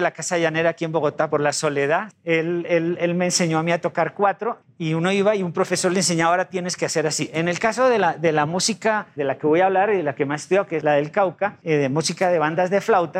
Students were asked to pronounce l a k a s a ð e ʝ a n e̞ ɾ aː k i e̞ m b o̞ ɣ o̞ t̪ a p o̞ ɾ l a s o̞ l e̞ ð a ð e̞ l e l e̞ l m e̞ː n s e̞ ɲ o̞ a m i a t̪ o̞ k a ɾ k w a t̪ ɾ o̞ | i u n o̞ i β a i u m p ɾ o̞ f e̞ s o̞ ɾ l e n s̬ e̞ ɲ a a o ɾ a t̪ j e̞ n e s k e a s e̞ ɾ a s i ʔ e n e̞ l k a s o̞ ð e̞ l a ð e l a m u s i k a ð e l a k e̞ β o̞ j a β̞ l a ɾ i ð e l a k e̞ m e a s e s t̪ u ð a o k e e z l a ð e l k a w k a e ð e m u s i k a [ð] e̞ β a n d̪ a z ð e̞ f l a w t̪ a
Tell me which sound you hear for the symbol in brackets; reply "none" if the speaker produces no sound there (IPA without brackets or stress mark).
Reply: ð